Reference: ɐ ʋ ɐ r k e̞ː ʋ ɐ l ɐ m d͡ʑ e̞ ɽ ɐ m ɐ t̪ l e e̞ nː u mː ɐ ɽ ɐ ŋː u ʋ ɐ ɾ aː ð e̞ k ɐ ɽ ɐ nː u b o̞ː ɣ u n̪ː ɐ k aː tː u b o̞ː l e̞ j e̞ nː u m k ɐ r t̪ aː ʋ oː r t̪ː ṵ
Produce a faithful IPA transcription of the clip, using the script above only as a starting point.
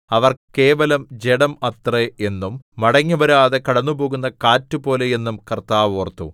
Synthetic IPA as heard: ɐ ʋ ɐ r k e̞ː ʋ ɐ l ɐ m d͡ʑ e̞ ɽ ɐ m ɐ t̪ r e e̞ nː u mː ɐ ɽ ɐ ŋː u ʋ ɐ ɾ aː ð e̞ k ɐ ɽ ɐ nː u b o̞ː ɣ u n̪ː ɐ k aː tː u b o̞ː l e̞ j e̞ nː u m k ɐ r t̪ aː ʋ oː r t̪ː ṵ